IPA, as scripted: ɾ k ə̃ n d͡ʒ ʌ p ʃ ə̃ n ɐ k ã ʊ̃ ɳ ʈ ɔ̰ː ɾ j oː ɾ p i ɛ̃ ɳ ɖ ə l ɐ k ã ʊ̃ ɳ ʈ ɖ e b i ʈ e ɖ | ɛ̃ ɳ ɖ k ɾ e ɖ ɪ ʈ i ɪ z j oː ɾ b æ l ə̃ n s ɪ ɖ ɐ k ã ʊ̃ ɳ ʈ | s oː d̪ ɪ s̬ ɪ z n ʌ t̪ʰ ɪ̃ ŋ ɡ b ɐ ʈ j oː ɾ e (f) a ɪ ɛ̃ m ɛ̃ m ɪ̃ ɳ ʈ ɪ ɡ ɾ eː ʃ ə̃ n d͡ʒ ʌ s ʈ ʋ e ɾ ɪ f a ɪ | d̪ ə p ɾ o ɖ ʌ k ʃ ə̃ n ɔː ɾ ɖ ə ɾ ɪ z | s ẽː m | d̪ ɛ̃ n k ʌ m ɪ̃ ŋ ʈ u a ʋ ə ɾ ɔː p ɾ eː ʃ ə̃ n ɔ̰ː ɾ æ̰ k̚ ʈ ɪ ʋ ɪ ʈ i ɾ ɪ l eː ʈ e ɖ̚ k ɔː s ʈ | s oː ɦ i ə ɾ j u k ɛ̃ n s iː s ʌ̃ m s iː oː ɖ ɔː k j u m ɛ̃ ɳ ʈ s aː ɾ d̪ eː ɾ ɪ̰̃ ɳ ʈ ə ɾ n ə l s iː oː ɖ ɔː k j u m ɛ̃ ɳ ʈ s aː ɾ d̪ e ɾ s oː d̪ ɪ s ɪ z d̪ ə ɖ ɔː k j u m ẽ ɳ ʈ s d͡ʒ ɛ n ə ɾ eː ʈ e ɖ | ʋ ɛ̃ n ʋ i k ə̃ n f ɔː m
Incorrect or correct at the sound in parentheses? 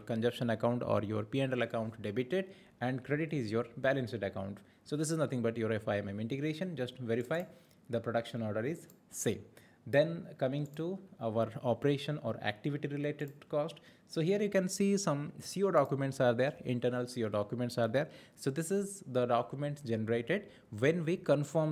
correct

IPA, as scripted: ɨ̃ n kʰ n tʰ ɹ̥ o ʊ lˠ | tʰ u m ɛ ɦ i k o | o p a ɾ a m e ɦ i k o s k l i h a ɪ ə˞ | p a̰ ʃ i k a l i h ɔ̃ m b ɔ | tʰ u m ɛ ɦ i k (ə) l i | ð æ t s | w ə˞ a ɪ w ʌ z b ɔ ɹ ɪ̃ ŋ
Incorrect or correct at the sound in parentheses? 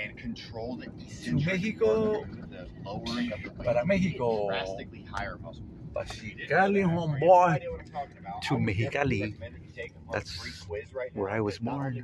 incorrect: a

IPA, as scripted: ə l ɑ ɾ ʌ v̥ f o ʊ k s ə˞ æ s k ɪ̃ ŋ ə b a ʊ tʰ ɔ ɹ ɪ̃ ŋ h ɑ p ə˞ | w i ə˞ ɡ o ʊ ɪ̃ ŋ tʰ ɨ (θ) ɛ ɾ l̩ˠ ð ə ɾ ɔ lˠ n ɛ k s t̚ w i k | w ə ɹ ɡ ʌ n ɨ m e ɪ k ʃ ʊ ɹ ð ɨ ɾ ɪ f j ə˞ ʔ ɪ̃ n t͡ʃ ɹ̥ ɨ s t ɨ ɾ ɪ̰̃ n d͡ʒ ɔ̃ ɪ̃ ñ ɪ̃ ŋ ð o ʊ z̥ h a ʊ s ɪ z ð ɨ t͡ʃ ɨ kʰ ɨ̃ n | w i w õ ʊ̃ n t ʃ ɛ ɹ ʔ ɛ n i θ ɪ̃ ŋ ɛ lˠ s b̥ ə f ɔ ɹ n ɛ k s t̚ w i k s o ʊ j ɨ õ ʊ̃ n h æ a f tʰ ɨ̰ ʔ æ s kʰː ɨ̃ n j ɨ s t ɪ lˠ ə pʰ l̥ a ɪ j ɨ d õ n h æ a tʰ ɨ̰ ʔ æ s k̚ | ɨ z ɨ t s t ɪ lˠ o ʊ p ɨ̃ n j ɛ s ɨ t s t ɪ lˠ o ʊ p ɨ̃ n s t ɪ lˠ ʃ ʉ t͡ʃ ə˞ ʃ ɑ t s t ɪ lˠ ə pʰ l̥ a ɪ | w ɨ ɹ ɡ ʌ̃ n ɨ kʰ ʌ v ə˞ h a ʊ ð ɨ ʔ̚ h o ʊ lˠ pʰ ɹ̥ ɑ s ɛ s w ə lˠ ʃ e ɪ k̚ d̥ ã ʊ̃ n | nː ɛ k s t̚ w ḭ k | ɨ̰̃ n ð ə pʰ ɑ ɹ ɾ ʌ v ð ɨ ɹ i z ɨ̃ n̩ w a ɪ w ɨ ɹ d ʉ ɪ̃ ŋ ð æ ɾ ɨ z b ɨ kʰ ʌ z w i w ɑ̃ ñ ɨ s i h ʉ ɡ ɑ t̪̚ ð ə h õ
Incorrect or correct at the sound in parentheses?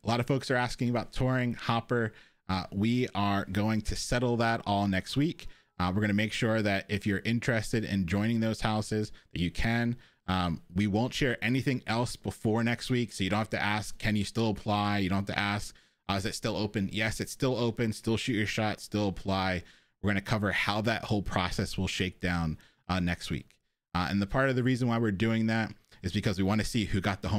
incorrect: s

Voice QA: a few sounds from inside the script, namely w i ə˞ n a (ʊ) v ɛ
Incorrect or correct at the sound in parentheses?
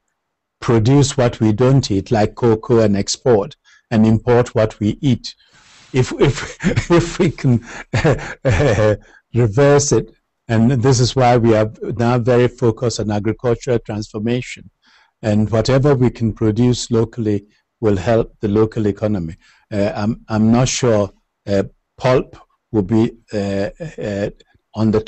correct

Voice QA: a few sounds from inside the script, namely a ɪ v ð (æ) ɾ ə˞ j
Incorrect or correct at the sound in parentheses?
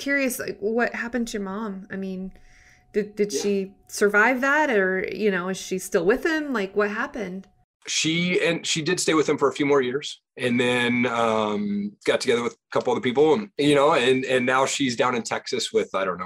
correct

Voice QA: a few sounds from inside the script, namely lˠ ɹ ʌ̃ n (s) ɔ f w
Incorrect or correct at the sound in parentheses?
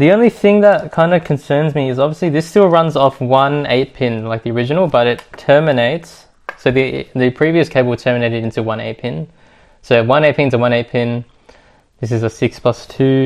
incorrect: z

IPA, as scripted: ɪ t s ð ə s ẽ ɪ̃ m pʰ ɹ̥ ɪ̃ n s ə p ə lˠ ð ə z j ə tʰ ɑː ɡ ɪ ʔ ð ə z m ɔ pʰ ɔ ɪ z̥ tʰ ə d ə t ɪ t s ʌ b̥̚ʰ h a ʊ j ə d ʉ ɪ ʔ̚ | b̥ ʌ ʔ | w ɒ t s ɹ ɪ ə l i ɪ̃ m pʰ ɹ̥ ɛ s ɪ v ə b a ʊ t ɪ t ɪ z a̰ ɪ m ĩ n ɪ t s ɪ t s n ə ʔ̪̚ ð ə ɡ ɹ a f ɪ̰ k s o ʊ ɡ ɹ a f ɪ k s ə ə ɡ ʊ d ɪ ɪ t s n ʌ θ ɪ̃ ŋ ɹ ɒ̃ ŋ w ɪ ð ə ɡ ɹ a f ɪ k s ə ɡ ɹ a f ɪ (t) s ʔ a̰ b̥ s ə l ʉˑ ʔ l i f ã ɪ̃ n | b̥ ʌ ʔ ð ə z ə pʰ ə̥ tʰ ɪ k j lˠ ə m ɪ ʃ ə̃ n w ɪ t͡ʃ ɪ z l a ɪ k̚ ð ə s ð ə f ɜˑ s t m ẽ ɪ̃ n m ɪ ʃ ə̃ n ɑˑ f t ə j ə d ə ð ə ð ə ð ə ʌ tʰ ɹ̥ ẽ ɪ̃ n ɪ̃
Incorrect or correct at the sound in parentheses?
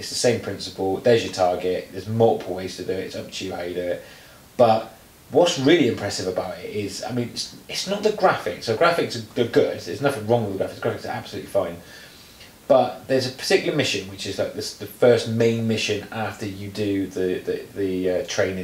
incorrect: k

